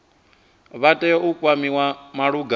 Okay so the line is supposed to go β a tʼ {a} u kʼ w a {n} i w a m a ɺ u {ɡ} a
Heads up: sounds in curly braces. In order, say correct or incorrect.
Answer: incorrect: ɛ, incorrect: m, correct

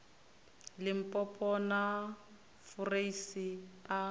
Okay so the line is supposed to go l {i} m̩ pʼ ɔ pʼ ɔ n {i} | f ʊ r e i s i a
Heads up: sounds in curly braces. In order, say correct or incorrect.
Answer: incorrect: ɪ, incorrect: a

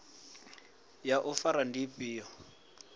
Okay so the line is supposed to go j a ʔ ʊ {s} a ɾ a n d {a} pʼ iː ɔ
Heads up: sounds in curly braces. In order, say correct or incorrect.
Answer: incorrect: f, incorrect: i

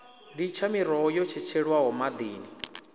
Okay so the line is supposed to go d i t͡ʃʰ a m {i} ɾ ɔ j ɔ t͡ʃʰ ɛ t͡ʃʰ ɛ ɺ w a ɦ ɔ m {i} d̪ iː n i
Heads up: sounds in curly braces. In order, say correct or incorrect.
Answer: correct, incorrect: a

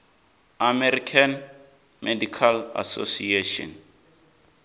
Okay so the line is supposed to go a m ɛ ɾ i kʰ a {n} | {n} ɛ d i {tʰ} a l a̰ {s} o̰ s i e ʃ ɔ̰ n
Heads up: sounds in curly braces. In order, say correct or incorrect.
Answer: correct, incorrect: m, incorrect: kʰ, correct

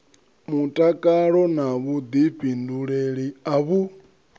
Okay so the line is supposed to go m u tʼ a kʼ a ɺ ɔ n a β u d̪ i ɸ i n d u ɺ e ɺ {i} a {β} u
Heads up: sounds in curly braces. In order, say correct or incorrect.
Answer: correct, correct

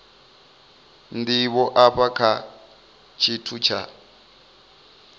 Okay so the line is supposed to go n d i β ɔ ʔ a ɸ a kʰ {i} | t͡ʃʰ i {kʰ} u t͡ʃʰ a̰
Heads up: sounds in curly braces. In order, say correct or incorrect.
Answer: incorrect: a, incorrect: tʰ

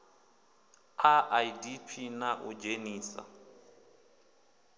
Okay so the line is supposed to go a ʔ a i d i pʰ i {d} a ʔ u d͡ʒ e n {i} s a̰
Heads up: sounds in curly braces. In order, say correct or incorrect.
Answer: incorrect: n, incorrect: iː

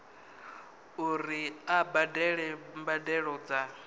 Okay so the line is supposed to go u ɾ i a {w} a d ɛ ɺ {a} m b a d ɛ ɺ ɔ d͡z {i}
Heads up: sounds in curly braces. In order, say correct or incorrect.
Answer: incorrect: b, incorrect: ɛ, incorrect: a

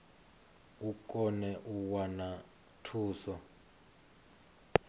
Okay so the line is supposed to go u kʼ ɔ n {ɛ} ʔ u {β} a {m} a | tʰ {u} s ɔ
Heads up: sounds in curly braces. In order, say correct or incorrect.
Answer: correct, incorrect: w, incorrect: n, incorrect: uː

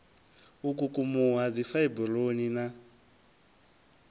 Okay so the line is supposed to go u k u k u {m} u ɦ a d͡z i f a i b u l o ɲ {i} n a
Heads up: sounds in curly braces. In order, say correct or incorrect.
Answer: correct, correct

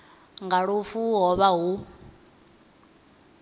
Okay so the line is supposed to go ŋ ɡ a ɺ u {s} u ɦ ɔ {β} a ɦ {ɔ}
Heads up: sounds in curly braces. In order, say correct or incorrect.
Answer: incorrect: f, correct, incorrect: u

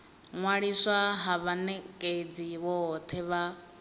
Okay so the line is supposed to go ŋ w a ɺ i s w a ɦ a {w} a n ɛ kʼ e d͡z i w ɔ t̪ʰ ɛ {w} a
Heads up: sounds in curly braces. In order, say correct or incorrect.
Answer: incorrect: β, incorrect: β

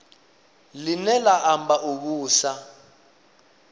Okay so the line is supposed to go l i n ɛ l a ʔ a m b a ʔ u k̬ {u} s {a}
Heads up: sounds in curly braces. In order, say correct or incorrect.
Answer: incorrect: uː, correct

